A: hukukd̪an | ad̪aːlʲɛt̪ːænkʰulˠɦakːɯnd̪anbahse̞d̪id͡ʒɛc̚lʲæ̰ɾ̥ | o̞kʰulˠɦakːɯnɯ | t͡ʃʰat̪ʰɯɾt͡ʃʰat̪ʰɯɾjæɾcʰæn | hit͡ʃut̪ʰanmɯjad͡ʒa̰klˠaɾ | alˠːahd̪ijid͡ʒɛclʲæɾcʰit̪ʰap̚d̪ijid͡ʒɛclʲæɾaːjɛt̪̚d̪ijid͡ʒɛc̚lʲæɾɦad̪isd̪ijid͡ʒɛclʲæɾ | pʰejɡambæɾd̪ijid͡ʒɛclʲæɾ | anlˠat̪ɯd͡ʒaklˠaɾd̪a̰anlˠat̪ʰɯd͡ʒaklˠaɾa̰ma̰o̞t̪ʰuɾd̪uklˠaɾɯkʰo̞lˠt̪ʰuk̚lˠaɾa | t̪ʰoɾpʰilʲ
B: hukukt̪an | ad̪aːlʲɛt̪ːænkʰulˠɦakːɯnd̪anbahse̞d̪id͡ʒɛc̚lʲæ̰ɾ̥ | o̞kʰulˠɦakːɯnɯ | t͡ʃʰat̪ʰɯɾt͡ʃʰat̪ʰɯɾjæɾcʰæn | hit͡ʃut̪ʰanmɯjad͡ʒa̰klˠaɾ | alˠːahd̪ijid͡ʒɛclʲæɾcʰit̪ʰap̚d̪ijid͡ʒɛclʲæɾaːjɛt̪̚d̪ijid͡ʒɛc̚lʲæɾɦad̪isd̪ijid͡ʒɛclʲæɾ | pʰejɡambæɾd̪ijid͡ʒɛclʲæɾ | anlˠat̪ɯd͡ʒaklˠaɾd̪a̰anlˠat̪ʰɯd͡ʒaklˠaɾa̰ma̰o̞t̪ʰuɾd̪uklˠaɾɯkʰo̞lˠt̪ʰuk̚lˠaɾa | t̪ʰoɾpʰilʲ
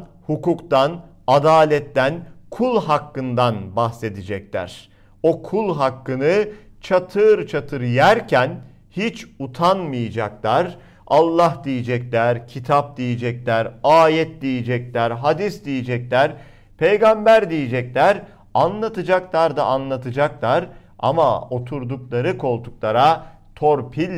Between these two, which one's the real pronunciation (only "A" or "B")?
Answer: B